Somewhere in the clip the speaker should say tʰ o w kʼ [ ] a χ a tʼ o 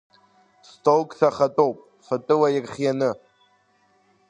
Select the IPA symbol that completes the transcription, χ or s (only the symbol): s